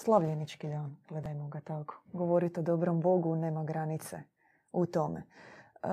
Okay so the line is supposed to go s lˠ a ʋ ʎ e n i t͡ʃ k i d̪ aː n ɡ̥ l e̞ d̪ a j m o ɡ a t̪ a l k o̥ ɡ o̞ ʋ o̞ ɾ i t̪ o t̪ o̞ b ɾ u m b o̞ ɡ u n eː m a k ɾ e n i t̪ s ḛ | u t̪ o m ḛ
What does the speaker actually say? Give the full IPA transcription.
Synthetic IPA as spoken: s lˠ a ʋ ʎ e n i t͡ʃ k i d̪ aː n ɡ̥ l e̞ d̪ a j m o ɡ a t̪ a k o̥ ɡ o̞ ʋ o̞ ɾ i t̪ o d̪ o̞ b ɾ o m b o̞ ɡ u n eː m a ɡ ɾ a n i t̪ s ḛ | u t̪ o m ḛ